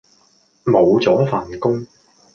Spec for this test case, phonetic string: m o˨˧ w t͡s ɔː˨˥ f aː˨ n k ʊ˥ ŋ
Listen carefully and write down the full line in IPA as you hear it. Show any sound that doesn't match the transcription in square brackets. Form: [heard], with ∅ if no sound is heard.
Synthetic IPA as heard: m o˨˧ w t͡s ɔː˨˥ f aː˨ n k ʊ˥ ŋ